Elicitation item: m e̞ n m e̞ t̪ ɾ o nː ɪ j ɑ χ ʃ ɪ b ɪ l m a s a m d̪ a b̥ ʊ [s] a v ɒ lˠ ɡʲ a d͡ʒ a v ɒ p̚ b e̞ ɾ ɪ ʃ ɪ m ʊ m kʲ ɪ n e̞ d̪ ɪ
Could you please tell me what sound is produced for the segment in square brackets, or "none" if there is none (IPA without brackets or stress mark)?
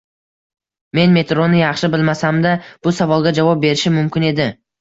s